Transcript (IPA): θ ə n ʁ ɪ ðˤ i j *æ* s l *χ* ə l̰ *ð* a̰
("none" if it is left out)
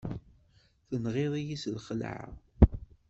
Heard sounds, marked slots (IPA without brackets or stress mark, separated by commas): i, χ, ʕ